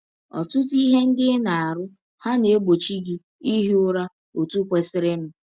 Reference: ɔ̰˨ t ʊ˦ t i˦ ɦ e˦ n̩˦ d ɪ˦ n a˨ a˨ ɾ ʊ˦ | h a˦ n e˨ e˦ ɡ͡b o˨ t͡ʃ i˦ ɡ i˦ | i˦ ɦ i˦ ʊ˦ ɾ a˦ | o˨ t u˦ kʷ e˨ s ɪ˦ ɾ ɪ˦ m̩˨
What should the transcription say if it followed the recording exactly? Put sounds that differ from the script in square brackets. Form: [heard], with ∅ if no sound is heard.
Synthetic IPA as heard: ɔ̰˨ t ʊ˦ t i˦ ɦ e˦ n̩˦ d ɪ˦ n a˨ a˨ ɾ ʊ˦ | h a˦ n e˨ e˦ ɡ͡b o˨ t͡ʃ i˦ ɡ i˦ | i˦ ɦ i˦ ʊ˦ ɾ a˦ | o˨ t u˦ kʷ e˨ s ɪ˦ ɾ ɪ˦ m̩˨